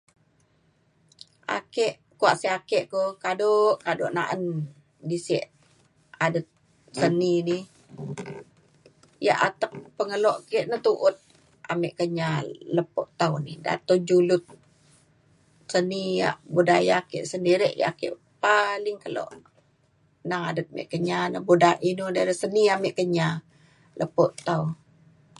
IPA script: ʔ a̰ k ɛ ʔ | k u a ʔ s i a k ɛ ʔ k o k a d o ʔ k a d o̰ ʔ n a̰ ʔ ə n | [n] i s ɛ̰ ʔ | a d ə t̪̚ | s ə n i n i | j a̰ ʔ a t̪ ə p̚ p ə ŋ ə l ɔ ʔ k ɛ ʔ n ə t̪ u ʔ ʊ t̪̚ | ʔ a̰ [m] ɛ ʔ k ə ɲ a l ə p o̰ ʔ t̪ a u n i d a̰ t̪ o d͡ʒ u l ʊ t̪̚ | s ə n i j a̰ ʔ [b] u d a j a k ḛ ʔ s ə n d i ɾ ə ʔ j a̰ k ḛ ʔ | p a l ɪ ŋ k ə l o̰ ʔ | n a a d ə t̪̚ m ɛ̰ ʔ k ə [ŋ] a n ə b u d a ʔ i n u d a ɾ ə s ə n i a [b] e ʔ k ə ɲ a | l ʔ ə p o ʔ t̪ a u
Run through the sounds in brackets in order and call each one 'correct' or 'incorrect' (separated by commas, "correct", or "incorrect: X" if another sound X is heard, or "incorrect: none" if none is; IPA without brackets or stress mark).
incorrect: d, correct, correct, incorrect: ɲ, incorrect: m